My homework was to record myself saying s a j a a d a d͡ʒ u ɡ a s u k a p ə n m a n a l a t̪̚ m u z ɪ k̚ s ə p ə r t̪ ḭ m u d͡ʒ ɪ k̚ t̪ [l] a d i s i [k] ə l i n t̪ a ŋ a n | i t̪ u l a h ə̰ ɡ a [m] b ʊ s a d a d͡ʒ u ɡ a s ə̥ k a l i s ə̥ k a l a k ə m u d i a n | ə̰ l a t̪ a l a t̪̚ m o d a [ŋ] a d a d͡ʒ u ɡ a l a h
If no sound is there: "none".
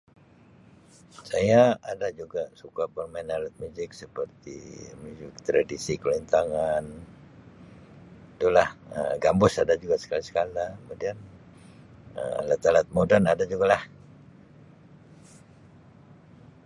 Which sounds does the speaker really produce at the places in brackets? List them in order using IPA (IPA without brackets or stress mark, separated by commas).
ɾ, k, m, n